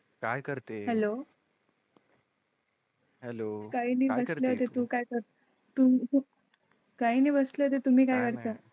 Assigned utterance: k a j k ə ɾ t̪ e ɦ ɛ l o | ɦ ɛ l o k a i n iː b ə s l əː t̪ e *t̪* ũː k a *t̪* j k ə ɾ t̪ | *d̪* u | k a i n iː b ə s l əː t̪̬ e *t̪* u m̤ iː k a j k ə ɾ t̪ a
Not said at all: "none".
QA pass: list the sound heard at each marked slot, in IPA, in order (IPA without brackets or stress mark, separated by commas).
t̪, none, t̪, t̪